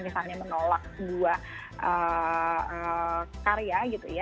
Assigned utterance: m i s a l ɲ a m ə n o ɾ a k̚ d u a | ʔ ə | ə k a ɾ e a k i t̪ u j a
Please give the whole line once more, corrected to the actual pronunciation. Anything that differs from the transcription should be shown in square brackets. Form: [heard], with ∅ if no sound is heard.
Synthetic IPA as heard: m i s a l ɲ a m ə n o [l] a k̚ d u a | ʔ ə | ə k a ɾ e a [ɡ] i t̪ u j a